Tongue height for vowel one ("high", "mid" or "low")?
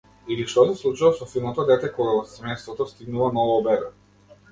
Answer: high